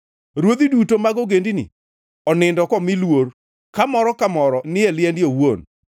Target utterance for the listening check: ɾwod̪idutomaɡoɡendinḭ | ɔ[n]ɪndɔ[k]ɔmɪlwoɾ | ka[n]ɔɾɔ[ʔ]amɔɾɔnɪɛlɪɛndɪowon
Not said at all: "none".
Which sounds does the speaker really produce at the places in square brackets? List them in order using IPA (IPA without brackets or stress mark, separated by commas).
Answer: n, k, m, k